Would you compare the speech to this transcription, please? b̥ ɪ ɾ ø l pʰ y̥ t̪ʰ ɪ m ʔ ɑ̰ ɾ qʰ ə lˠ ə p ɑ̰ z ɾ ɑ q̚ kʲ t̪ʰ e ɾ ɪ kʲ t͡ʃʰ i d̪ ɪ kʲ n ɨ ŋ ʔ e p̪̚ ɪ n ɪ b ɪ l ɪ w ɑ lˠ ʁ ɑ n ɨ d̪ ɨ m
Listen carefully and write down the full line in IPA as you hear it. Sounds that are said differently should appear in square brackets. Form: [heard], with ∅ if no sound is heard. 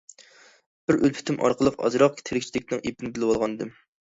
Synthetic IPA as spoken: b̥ ɪ ɾ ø l pʰ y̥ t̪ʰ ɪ m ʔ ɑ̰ ɾ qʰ ə lˠ ə [q] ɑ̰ z ɾ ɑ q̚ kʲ t̪ʰ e ɾ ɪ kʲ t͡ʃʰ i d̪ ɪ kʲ n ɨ ŋ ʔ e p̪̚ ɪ n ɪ b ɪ l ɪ w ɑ lˠ ʁ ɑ n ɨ d̪ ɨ m